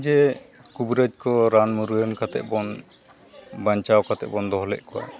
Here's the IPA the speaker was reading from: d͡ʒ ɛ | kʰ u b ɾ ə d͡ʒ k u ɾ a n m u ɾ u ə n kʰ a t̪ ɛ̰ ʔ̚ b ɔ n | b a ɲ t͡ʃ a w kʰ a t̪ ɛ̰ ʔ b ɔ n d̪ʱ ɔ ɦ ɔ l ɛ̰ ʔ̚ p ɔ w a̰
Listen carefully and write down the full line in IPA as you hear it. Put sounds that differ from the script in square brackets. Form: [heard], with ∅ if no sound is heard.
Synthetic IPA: d͡ʒ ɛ | [k] u b ɾ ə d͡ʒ k [ɔ] ɾ a n m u ɾ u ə n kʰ a t̪ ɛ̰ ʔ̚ b ɔ n | b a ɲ t͡ʃ a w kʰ a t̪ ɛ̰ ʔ b ɔ n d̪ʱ ɔ ɦ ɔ l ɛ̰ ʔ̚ [k] ɔ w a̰